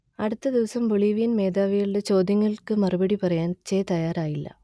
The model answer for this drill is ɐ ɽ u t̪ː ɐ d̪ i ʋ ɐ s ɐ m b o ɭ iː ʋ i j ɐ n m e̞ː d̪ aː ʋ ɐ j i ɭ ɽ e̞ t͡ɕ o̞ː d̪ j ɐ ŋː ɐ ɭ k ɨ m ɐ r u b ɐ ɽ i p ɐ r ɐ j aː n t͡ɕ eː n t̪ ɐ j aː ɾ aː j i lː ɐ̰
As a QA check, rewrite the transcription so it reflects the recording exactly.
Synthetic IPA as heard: ɐ ɽ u t̪ː ɐ d̪ i ʋ ɐ s ɐ m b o ɭ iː ʋ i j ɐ n m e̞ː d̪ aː ʋ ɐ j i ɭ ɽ e̞ t͡ɕ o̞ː d̪ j ɐ ŋː ɐ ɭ k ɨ m ɐ r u b ɐ ɽ i p ɐ r ɐ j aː n t͡ɕ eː t̪ ɐ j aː ɾ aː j i lː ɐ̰